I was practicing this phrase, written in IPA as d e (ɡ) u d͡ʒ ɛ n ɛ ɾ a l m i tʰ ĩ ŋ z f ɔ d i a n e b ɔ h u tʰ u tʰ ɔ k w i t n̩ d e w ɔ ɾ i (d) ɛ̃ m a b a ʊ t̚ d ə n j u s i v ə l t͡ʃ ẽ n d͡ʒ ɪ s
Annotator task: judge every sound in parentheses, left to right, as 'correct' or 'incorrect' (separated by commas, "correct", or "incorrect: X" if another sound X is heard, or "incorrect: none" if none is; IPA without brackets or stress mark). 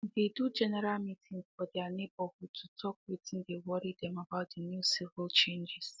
incorrect: d, correct